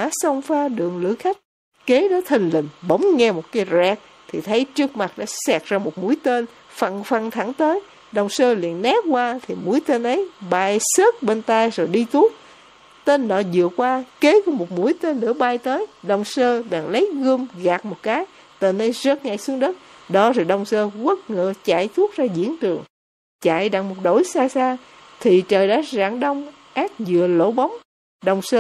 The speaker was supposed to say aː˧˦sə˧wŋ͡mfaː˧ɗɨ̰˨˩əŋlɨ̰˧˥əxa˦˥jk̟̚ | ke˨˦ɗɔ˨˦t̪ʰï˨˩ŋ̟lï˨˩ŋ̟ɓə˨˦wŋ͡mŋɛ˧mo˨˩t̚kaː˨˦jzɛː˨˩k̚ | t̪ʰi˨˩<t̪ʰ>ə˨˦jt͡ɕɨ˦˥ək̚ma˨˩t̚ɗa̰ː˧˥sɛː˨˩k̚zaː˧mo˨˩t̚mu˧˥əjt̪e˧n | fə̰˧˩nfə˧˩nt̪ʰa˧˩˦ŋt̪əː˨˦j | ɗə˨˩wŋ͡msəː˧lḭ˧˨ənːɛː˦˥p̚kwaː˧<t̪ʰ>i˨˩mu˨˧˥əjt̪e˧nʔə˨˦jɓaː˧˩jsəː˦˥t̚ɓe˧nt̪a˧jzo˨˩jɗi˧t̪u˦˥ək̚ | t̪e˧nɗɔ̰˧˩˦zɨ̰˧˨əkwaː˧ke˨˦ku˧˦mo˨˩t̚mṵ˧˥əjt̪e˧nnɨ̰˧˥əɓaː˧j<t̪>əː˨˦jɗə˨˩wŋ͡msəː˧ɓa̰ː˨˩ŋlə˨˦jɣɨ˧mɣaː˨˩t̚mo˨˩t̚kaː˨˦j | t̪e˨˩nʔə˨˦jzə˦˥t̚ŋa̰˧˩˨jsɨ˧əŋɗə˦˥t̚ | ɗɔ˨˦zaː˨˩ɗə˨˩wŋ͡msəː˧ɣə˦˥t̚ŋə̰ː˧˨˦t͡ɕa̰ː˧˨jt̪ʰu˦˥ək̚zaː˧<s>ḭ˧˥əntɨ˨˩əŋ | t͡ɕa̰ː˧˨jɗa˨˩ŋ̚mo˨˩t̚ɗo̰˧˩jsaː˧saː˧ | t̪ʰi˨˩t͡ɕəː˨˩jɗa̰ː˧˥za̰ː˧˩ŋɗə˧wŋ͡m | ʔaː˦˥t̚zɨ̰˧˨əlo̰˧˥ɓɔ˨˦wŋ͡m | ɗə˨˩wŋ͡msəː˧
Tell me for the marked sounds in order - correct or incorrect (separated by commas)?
correct, correct, correct, incorrect